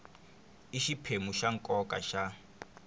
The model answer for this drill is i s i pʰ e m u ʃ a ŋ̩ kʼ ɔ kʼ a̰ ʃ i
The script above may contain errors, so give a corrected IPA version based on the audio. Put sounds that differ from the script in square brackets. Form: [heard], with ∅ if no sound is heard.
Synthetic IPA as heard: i [ʃ] i pʰ e m u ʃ a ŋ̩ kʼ ɔ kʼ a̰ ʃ [a]